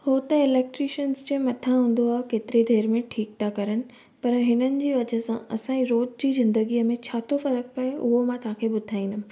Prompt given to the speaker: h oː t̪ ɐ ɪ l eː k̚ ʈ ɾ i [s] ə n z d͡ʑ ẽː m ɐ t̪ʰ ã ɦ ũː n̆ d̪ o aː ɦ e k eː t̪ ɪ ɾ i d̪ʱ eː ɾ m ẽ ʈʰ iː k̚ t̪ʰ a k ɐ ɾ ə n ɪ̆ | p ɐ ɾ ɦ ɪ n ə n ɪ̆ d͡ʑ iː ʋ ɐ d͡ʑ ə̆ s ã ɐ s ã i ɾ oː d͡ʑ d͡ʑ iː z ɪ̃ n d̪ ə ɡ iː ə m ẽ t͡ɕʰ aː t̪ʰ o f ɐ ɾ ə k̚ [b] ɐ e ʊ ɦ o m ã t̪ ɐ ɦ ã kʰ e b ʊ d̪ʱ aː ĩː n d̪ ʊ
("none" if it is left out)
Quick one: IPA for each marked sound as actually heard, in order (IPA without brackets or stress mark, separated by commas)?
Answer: ʃ, p